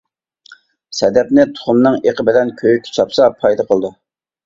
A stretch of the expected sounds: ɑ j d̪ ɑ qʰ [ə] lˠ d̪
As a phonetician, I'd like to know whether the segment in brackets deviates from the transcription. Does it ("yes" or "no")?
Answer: no